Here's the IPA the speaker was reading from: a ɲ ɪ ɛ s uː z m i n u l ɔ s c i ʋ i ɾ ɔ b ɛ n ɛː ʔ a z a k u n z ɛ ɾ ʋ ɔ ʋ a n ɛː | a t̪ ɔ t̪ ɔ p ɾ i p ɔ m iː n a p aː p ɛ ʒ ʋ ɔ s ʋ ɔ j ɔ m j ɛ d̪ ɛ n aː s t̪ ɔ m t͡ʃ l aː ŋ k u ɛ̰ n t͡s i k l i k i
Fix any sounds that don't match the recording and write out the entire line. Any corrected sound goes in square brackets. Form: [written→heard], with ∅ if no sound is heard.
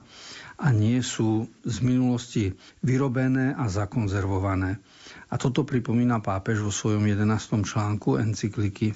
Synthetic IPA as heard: a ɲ ɪ ɛ s uː z m i n u l ɔ s c i ʋ i ɾ ɔ b ɛ n ɛː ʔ a z a k [u→ɔ] n z ɛ ɾ ʋ ɔ ʋ a n ɛː | a t̪ ɔ t̪ ɔ p ɾ i p ɔ m iː n a p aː p ɛ ʒ ʋ ɔ s ʋ ɔ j ɔ m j ɛ d̪ ɛ n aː s t̪ ɔ m t͡ʃ l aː ŋ k u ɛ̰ n t͡s i k l i k i